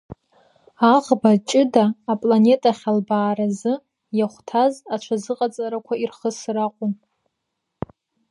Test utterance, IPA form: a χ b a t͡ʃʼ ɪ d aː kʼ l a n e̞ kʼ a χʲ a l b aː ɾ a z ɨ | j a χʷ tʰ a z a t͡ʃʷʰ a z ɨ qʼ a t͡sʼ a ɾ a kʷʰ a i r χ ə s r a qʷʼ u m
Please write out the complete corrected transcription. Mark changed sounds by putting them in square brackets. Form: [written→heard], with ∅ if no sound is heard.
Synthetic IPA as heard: a [χ→ʁ] b a t͡ʃʼ ɪ d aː [kʼ→pʼ] l a n e̞ [kʼ→tʼ] a χʲ a l b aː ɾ a z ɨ | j a χʷ tʰ a z a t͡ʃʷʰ a z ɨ qʼ a t͡sʼ a ɾ a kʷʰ a i r χ ə s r a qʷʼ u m